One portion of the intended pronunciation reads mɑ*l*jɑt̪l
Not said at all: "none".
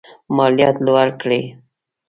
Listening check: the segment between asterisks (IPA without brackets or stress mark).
l